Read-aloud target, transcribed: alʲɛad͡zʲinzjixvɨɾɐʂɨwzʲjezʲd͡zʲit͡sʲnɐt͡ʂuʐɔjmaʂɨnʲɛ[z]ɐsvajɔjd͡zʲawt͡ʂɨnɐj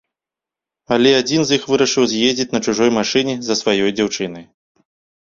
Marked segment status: correct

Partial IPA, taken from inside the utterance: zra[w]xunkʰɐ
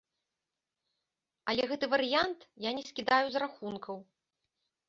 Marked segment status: incorrect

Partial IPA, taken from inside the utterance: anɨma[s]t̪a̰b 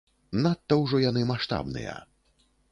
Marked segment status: incorrect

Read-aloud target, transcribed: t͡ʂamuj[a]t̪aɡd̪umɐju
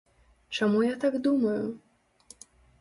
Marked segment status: correct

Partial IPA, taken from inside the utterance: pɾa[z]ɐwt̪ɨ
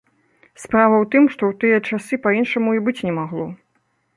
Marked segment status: incorrect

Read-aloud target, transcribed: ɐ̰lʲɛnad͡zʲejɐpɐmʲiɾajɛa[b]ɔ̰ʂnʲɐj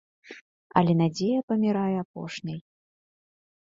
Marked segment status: incorrect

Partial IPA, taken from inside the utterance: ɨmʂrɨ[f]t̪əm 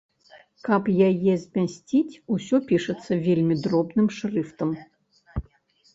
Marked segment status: correct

